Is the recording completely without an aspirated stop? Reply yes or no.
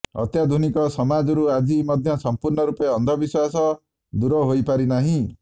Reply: yes